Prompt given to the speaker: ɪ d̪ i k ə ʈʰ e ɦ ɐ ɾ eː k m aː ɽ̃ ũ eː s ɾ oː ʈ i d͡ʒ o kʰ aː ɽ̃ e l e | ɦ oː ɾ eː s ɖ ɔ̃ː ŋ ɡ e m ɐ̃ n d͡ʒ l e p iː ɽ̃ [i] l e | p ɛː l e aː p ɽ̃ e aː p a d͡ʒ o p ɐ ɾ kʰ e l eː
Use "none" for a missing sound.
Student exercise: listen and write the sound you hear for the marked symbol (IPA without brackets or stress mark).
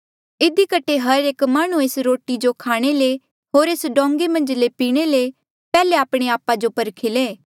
e